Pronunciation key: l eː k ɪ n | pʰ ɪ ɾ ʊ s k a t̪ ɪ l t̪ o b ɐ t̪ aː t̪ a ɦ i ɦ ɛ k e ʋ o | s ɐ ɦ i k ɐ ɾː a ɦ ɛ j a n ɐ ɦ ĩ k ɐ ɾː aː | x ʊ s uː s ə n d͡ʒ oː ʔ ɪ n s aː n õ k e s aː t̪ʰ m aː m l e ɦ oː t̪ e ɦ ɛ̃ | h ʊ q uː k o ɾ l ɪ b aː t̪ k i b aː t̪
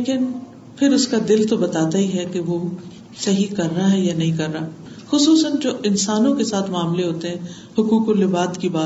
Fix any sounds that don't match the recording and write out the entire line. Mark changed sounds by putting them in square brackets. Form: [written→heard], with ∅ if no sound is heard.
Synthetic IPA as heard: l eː k ɪ n | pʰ ɪ ɾ ʊ s k a [t̪→d̪] ɪ l t̪ o b ɐ t̪ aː t̪ a ɦ i ɦ ɛ k e ʋ o | s ɐ ɦ i k ɐ ɾː a ɦ ɛ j a n ɐ ɦ ĩ k ɐ ɾː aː | x ʊ s uː s ə n d͡ʒ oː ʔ ɪ n s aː n õ k e s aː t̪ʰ m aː m l e ɦ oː t̪ e ɦ ɛ̃ | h ʊ [q→k] uː k o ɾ l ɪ b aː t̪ k i b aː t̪